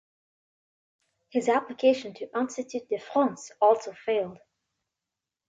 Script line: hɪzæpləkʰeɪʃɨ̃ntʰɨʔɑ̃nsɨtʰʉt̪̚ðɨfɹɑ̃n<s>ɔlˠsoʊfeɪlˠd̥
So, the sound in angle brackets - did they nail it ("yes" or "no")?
yes